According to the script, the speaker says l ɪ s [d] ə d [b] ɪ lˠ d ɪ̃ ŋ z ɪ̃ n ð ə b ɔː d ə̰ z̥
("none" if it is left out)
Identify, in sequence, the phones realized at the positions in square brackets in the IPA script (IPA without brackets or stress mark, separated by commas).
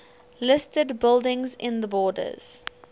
t, b